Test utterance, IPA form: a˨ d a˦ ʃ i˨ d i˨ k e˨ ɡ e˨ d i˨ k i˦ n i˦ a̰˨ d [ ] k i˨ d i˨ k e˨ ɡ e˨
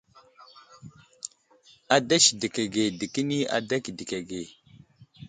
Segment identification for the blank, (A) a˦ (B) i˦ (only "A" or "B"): A